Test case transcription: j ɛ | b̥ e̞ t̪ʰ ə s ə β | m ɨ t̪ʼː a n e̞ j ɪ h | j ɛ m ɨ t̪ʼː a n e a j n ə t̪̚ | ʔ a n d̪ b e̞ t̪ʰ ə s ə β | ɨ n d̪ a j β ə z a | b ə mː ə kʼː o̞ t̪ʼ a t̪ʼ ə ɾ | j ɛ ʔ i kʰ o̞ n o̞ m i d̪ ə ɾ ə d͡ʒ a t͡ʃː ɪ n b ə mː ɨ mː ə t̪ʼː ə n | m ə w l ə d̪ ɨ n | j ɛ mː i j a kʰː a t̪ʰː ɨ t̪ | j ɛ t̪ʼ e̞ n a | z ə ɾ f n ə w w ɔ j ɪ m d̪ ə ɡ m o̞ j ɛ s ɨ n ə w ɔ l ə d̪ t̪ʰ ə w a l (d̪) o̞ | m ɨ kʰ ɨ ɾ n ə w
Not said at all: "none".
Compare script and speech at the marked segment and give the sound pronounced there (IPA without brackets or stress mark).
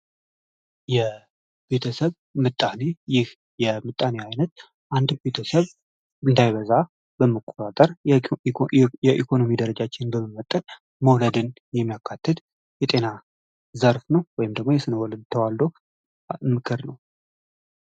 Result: d̪